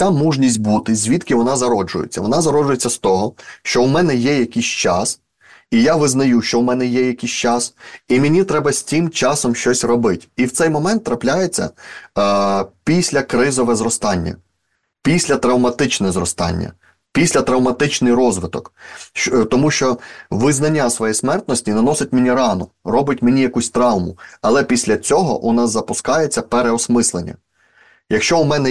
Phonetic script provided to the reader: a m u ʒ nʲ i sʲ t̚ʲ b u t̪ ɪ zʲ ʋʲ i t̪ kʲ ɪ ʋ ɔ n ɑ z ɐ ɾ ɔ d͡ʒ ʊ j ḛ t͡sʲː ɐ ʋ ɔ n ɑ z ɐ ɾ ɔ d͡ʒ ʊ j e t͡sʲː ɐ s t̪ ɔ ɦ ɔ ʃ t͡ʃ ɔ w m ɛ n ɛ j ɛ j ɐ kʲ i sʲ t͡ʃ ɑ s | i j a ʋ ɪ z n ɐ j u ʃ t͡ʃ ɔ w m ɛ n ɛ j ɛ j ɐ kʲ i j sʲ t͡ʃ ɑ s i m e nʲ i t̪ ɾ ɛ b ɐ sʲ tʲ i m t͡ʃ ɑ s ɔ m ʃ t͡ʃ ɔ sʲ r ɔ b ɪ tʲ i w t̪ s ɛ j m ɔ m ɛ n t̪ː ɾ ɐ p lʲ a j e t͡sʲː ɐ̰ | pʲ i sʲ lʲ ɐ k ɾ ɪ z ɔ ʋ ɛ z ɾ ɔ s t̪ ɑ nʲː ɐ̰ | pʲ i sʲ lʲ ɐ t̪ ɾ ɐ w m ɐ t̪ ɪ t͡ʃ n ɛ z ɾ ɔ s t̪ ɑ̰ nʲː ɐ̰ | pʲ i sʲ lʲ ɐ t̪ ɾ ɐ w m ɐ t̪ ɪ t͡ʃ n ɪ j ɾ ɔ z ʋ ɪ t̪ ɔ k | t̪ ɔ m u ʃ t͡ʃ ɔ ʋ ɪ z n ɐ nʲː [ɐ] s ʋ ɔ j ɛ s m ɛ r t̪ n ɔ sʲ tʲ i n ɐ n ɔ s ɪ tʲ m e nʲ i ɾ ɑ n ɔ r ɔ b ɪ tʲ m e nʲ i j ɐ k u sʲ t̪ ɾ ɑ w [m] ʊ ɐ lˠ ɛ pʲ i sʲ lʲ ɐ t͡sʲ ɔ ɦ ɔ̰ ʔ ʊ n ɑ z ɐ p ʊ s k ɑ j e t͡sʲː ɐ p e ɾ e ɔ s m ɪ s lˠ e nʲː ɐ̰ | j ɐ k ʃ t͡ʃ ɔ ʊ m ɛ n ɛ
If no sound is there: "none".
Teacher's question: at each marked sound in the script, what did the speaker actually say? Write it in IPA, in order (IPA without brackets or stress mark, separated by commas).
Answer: a, m